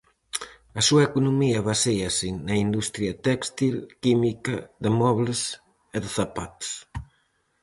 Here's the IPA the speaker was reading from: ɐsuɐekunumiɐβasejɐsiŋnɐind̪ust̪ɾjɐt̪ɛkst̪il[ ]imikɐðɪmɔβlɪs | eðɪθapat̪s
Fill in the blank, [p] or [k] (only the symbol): k